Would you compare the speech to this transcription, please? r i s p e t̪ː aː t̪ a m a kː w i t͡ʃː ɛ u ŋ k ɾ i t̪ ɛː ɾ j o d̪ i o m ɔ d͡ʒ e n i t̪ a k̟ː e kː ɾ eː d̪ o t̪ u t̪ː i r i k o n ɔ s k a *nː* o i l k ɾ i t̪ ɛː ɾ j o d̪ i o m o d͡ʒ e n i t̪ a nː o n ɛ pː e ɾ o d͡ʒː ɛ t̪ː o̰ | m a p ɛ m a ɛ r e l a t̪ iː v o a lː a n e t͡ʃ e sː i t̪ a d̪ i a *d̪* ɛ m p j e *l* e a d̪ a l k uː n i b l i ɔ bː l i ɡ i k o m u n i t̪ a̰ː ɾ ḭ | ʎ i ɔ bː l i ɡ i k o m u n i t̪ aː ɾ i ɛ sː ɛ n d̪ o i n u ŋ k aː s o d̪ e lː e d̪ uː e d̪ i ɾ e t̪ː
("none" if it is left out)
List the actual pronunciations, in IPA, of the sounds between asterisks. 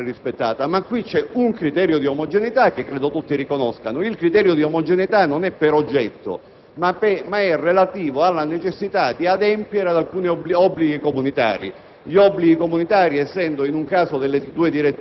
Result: n, d̪, ɾ

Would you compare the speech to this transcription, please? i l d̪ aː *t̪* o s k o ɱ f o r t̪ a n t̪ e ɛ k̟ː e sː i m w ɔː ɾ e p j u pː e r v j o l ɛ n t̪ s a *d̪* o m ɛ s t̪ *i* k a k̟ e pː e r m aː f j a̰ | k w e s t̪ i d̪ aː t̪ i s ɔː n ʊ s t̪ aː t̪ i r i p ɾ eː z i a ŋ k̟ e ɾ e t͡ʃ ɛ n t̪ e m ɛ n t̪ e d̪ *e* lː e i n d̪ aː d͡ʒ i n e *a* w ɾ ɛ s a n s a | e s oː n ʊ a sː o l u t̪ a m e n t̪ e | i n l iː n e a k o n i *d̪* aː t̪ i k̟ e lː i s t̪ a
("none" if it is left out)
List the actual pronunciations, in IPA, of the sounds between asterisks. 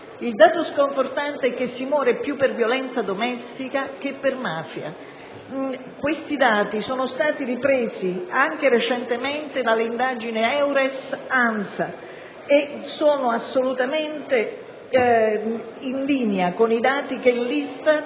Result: t̪, d̪, i, a, ɛ, d̪

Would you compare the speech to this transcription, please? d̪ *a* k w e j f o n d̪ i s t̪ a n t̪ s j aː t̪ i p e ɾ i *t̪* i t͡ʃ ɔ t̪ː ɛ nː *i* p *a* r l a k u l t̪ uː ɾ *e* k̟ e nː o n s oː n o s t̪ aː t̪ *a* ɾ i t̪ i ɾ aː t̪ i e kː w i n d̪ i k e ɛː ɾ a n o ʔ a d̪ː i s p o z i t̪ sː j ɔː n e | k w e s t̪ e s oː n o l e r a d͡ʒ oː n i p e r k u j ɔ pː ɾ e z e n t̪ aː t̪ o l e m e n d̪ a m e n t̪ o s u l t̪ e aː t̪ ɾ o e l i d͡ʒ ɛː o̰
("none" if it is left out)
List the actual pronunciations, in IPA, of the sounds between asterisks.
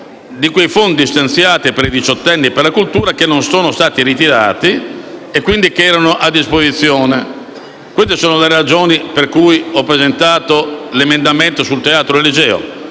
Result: i, d̪, i, e, a, i

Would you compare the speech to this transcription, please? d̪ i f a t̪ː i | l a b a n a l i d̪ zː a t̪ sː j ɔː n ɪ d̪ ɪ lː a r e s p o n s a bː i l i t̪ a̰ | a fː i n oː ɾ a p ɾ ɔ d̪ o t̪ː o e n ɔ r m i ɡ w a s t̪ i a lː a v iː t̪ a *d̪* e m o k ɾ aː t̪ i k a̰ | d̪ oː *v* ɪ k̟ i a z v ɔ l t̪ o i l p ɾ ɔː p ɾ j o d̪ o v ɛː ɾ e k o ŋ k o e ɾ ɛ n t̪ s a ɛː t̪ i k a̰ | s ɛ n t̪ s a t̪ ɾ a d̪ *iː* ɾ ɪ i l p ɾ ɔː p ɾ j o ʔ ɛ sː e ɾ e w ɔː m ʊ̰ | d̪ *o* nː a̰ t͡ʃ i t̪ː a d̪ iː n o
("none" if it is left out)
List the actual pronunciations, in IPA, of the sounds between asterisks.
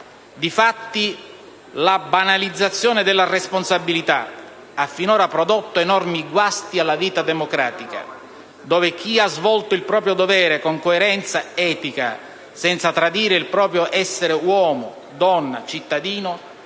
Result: d̪, v, iː, ɔ

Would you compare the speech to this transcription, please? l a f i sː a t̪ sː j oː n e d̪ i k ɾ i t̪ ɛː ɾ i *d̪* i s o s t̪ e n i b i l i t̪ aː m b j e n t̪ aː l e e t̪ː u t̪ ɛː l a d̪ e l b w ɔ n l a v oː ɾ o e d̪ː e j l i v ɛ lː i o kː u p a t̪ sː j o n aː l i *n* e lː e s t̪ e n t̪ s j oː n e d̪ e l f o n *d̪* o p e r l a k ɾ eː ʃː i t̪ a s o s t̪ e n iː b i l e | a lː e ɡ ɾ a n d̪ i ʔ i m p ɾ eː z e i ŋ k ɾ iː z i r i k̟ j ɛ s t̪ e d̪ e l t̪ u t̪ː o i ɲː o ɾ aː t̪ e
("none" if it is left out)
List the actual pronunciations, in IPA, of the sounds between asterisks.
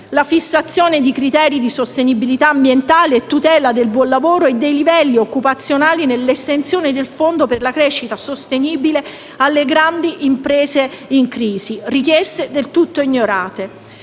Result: d̪, n, d̪

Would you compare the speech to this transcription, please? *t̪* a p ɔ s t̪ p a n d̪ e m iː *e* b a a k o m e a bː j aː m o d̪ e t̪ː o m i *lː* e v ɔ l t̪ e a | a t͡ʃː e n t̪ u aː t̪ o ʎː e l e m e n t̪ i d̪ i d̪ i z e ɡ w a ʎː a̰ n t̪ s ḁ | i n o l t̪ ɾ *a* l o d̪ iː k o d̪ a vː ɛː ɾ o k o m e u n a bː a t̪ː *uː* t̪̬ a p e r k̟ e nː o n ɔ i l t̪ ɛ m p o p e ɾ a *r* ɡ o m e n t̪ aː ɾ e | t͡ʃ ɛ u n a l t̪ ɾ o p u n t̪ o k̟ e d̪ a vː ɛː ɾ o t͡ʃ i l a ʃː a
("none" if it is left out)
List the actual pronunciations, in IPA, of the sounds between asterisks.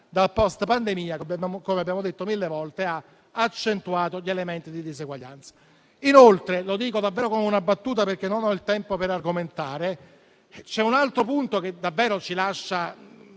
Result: d̪, a, lː, e, uː, r

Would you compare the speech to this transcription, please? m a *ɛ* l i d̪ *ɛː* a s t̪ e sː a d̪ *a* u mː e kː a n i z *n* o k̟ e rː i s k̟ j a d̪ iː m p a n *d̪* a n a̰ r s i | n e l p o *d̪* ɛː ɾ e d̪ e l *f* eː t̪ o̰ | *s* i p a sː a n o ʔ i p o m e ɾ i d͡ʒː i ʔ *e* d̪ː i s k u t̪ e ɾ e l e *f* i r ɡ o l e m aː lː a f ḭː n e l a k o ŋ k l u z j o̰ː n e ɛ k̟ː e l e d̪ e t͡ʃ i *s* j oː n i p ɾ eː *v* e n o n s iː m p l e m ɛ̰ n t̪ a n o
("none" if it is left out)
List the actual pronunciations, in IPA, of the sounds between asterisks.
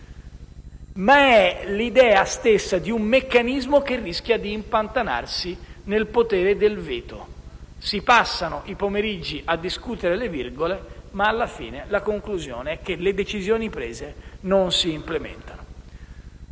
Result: ɛ, ɛː, i, m, t̪, t̪, v, s, a, v, z, z

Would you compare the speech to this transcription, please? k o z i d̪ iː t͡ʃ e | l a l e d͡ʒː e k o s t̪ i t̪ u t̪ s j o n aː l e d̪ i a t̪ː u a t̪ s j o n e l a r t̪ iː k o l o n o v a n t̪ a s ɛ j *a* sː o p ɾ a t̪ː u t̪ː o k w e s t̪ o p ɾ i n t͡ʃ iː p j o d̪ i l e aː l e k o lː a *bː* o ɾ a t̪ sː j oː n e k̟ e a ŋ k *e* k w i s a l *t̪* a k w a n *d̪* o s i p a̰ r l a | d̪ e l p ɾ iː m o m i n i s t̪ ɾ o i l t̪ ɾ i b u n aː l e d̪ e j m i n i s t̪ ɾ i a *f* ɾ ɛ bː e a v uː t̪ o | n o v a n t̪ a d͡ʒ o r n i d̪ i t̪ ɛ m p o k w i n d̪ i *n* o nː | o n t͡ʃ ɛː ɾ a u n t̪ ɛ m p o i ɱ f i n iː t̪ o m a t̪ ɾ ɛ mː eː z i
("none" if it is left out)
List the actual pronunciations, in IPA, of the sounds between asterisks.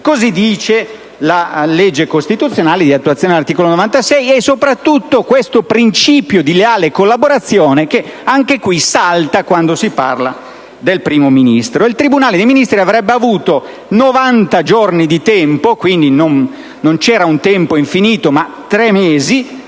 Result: ɛ, b, e, t̪, d̪, v, n

